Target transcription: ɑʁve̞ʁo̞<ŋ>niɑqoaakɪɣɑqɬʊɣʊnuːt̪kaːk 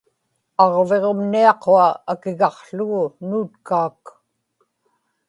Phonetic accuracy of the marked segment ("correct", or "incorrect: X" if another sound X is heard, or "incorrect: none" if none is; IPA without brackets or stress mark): incorrect: m